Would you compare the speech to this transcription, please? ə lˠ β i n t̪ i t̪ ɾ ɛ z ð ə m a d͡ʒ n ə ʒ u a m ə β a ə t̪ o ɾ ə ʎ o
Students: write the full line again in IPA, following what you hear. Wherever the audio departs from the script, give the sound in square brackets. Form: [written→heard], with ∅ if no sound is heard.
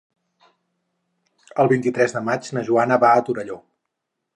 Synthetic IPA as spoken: ə lˠ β i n t̪ i t̪ ɾ ɛ z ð ə m a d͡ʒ n ə ʒ u a [m→n] ə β a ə t̪ [o→u] ɾ ə ʎ o